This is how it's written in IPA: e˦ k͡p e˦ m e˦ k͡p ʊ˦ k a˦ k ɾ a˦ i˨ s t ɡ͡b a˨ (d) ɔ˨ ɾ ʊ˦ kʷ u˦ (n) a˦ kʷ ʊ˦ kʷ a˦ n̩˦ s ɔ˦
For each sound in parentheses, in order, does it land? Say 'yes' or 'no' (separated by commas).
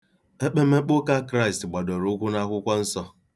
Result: yes, yes